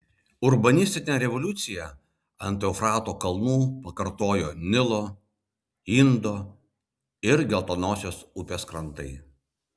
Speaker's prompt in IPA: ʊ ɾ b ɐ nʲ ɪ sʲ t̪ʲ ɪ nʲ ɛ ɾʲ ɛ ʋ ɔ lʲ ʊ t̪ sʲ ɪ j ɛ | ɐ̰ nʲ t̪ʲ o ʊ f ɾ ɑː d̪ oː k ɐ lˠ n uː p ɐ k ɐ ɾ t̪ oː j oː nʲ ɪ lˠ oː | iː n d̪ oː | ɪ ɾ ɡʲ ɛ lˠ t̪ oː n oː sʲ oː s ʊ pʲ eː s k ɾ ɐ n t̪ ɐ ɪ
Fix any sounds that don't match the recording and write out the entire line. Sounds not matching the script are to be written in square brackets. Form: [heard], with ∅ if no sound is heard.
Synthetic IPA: ʊ ɾ b ɐ nʲ ɪ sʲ t̪ʲ ɪ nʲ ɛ ɾʲ ɛ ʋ ɔ lʲ ʊ t̪ sʲ ɪ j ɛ | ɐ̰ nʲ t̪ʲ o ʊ f ɾ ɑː [t̪] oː k ɐ lˠ n uː p ɐ k ɐ ɾ t̪ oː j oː nʲ ɪ lˠ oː | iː n d̪ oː | ɪ ɾ ɡʲ ɛ lˠ t̪ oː n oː sʲ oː s ʊ pʲ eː s k ɾ ɐ n t̪ ɐ ɪ